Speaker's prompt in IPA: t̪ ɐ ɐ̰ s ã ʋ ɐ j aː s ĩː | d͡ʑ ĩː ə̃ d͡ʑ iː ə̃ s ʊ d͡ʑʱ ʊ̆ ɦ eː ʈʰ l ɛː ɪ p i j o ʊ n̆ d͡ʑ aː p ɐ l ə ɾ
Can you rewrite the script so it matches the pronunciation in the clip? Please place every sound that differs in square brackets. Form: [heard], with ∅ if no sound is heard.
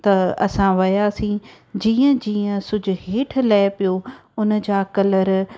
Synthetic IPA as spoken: t̪ ɐ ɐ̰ s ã ʋ ɐ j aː s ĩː | d͡ʑ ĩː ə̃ d͡ʑ iː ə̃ s ʊ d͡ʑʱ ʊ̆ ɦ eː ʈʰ l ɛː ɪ p i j o ʊ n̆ d͡ʑ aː [k] ɐ l ə ɾ